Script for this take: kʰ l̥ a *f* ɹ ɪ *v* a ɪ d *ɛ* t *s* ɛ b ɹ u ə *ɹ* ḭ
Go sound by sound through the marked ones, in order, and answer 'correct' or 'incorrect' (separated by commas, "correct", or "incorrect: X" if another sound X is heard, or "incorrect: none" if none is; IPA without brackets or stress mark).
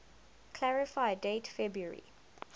incorrect: none, incorrect: f, incorrect: e, incorrect: f, correct